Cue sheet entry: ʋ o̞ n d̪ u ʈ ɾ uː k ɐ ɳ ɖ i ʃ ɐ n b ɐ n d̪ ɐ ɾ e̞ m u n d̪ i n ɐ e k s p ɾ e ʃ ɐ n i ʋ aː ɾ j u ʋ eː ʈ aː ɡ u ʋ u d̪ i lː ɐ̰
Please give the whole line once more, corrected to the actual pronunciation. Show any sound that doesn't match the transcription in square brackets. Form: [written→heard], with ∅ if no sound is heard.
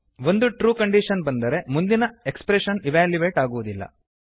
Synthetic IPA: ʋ o̞ n d̪ u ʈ ɾ uː k ɐ ɳ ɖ i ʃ ɐ n b ɐ n d̪ ɐ ɾ e̞ m u n d̪ i n ɐ e k s p ɾ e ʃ ɐ n i ʋ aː [ɾ→l] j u ʋ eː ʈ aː ɡ u ʋ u d̪ i lː ɐ̰